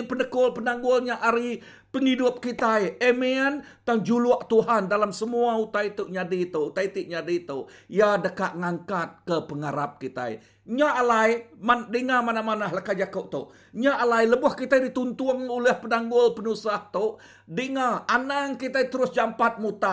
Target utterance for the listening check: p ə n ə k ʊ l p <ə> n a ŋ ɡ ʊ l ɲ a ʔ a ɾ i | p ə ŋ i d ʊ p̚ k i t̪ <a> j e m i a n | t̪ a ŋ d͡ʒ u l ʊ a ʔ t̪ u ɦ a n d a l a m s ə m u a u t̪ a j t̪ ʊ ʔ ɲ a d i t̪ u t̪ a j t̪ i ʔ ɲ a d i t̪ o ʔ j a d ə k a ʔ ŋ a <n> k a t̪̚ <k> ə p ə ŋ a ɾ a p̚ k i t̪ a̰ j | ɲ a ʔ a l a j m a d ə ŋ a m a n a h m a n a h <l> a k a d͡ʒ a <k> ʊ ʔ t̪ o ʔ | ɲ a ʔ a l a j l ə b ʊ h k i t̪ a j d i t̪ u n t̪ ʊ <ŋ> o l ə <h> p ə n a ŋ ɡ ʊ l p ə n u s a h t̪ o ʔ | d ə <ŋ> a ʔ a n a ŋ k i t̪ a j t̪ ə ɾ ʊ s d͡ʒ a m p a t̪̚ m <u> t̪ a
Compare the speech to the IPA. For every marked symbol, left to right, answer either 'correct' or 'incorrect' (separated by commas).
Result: correct, correct, incorrect, correct, correct, correct, correct, correct, correct, correct